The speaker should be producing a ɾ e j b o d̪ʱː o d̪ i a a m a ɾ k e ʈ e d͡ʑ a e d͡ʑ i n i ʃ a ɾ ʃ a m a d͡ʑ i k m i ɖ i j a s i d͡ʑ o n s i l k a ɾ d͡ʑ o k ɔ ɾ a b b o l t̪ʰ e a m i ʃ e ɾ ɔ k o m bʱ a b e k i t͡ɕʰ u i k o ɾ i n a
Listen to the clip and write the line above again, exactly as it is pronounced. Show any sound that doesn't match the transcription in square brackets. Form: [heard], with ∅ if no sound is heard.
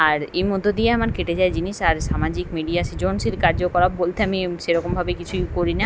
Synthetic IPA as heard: a ɾ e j [m] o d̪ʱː o d̪ i [e] a m a ɾ k e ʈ e d͡ʑ a e d͡ʑ i n i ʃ a ɾ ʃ a m a d͡ʑ i k m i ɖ i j a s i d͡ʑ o n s i l k a ɾ d͡ʑ o k ɔ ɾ a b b o l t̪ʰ e a m i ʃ e ɾ ɔ k o m bʱ a b e k i t͡ɕʰ u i k o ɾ i n a

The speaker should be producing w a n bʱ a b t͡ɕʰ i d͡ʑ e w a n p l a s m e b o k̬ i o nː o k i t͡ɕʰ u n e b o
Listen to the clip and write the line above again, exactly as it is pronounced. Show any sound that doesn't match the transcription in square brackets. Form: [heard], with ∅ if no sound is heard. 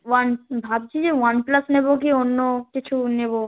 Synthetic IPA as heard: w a n bʱ a b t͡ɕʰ i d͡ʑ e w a n p l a s [n] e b o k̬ i o nː o k i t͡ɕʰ u n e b o

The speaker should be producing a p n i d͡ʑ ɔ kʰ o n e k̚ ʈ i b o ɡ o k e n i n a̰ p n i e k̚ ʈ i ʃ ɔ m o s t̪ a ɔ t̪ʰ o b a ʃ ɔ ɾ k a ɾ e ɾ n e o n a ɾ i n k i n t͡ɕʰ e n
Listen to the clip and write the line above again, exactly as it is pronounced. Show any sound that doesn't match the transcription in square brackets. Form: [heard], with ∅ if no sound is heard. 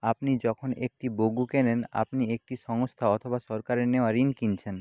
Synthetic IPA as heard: a p n i d͡ʑ ɔ kʰ o n e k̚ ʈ i b o ɡ [u] k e n [e] n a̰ p n i e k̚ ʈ i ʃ ɔ [ŋ] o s [t̪ʰ] a ɔ t̪ʰ o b a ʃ ɔ ɾ k a ɾ e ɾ n e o [∅] a ɾ i n k i n t͡ɕʰ e n

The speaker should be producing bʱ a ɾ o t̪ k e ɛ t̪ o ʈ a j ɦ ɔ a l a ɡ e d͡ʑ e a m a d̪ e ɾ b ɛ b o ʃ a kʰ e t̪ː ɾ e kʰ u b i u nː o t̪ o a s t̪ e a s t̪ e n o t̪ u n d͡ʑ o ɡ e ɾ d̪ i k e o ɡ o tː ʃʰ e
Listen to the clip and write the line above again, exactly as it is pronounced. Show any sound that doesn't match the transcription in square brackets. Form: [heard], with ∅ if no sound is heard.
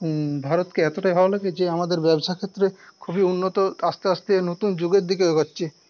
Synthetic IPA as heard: bʱ a ɾ o t̪ k e ɛ t̪ o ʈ a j ɦ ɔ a l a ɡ e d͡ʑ e a m a d̪ e ɾ b ɛ b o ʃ a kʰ e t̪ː ɾ e kʰ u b i u nː o t̪ o a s t̪ e a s t̪ e n o t̪ u n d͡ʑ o ɡ e ɾ d̪ i k e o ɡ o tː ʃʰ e

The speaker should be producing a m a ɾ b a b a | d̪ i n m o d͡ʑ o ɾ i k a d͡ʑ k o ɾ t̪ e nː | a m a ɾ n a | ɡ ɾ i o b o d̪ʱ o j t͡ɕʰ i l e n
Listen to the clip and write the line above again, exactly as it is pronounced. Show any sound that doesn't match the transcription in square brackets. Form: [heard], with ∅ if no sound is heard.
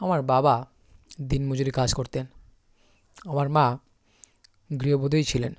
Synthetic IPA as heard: a m a ɾ b a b a | d̪ i n m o d͡ʑ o ɾ i k a d͡ʑ k o ɾ t̪ e [n] | a m a ɾ [m] a | ɡ ɾ i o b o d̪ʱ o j t͡ɕʰ i l e n

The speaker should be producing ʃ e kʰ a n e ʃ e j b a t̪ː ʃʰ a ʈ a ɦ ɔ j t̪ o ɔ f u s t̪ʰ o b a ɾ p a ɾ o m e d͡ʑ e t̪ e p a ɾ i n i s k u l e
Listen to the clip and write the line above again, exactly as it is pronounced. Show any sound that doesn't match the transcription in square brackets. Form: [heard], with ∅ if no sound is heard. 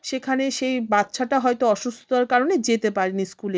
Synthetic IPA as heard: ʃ e kʰ a n e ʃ e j b a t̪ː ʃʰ a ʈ a ɦ ɔ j t̪ o ɔ [ʃ] u s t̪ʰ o [∅] a ɾ [k] a ɾ o [n] e d͡ʑ e t̪ e p a ɾ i n i s k u l e

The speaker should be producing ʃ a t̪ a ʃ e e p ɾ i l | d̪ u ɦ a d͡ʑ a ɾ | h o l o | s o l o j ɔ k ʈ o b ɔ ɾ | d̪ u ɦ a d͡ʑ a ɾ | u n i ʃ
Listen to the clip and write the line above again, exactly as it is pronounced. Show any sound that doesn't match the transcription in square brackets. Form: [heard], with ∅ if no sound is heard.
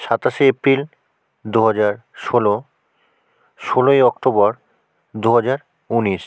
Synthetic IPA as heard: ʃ a t̪ a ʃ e e p ɾ i l | d̪ u ɦ a d͡ʑ a ɾ | [ʃ] o l o | [ʃ] o l o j ɔ k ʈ o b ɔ ɾ | d̪ u ɦ a d͡ʑ a ɾ | u n i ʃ

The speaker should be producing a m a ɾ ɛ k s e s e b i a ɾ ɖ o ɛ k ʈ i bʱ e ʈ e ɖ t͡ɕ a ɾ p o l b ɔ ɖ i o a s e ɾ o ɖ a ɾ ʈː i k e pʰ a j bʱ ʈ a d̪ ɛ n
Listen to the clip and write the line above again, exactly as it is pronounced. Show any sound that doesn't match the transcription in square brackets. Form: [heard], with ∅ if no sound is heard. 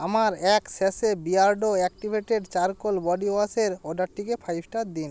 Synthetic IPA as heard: a m a ɾ ɛ k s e s e b i a ɾ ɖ o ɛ k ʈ i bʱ e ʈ e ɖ t͡ɕ a ɾ [k] o l b ɔ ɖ i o a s e ɾ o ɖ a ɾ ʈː i k e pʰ a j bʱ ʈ a d̪ [i] n

